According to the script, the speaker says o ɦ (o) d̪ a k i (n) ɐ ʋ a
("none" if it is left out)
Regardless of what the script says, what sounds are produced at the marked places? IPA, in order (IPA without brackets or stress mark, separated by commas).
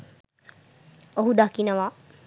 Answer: u, n